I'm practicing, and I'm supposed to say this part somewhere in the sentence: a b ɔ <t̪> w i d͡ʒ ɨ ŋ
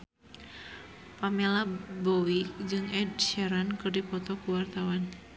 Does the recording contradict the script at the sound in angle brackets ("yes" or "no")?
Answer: yes